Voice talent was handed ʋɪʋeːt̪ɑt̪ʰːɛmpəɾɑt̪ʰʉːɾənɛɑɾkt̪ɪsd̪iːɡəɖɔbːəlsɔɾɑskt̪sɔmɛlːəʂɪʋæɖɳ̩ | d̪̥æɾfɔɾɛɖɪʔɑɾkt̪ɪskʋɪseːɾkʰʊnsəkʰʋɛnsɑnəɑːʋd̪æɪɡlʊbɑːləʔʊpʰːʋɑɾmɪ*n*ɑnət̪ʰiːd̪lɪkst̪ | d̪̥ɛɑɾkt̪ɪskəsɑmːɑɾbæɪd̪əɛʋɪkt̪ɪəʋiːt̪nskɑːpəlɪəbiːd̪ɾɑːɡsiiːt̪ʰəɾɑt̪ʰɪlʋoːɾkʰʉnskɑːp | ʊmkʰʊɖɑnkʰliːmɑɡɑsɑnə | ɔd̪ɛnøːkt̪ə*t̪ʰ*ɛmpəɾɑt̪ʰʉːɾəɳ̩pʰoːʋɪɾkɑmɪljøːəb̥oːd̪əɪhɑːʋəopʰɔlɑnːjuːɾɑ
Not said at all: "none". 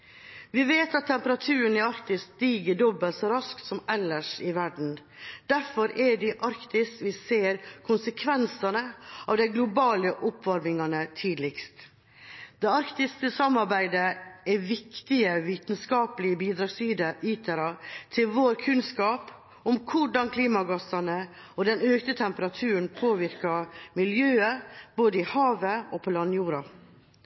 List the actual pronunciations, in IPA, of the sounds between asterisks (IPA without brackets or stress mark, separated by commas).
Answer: ŋ, t̪ʰ